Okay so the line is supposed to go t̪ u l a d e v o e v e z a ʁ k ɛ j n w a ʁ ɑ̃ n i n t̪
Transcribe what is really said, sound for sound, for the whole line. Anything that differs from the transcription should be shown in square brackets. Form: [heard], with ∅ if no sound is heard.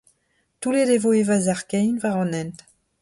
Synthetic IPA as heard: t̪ u l [e] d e v o e v [a] z a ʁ k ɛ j n [v] a ʁ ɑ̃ n [ɛ] n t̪